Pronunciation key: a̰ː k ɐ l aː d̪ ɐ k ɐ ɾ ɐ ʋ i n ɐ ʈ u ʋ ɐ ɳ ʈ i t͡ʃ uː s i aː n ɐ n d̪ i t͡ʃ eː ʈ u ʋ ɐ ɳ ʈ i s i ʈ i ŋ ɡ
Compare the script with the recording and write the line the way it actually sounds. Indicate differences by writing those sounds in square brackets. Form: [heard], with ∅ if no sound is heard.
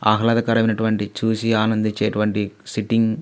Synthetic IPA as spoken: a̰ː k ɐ l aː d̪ ɐ k ɐ ɾ ɐ ʋ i n ɐ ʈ u ʋ ɐ ɳ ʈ i t͡ʃ uː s i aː n ɐ n d̪ i t͡ʃ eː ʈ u ʋ ɐ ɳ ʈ i s i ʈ i ŋ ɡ